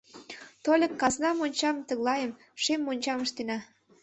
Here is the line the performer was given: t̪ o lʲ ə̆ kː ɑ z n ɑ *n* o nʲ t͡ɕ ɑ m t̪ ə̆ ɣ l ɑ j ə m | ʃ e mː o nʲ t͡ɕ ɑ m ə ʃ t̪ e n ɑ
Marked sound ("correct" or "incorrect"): incorrect